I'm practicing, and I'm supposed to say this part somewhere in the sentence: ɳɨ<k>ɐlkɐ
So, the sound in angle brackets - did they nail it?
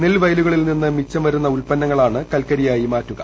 yes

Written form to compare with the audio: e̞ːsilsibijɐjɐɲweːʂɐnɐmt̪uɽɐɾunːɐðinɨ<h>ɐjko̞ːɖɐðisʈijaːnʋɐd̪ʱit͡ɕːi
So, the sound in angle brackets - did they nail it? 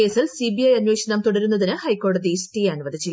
yes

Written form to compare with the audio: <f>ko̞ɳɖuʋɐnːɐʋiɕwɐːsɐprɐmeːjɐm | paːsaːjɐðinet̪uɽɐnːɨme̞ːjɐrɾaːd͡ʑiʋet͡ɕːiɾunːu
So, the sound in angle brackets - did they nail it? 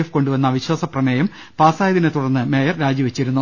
yes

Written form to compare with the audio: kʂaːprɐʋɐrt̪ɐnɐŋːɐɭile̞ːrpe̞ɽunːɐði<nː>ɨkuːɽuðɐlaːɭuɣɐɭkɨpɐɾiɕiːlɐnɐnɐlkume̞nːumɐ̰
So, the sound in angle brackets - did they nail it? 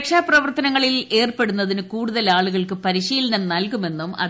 no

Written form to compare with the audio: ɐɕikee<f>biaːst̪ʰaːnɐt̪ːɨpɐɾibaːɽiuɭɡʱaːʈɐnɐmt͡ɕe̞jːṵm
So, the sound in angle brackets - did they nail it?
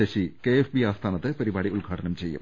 yes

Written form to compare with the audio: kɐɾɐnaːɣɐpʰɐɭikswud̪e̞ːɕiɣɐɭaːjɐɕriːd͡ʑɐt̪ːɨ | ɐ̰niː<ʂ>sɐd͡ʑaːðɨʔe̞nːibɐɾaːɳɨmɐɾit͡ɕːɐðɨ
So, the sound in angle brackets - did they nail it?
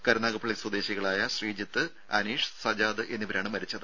yes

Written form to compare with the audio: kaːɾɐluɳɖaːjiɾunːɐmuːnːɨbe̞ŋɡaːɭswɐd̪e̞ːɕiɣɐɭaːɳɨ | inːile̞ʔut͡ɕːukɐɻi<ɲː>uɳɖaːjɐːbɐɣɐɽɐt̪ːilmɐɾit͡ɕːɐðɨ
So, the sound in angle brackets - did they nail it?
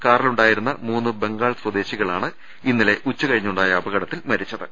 yes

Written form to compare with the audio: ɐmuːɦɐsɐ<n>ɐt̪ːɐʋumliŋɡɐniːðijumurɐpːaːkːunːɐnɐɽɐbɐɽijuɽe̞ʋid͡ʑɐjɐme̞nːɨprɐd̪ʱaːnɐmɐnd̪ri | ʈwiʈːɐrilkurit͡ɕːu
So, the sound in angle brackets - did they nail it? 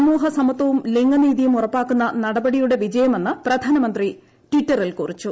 no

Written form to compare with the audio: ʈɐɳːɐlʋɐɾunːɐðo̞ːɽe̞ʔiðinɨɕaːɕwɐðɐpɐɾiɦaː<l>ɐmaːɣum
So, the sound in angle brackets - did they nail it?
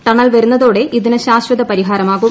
no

